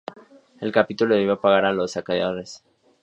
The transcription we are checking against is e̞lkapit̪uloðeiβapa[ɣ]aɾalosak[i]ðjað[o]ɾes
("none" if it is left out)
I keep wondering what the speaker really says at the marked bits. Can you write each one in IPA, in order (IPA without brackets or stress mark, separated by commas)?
ɣ, a, o